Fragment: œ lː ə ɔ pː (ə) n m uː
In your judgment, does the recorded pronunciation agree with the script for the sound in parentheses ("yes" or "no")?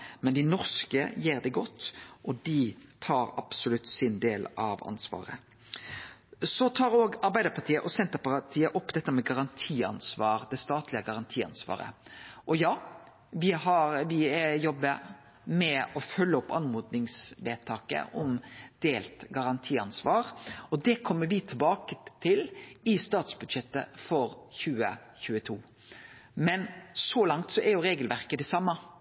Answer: no